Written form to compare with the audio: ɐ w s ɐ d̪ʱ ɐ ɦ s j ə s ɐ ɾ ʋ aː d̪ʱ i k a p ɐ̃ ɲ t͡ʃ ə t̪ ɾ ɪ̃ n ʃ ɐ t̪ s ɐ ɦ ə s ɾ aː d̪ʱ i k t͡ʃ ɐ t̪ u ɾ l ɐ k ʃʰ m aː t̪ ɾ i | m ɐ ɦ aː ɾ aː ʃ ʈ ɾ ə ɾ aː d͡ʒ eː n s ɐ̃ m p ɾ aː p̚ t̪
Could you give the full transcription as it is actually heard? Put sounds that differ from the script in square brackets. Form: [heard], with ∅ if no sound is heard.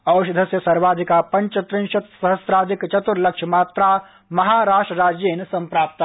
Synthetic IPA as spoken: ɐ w [ʃ] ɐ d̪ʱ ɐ [∅] s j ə s ɐ ɾ ʋ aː d̪ʱ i k a p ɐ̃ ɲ t͡ʃ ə t̪ ɾ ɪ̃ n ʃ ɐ t̪ s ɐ ɦ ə s ɾ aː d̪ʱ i k t͡ʃ ɐ t̪ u ɾ l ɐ k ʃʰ m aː t̪ ɾ [a] | m ɐ ɦ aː ɾ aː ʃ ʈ ɾ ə ɾ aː d͡ʒ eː n s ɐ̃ m p ɾ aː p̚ t̪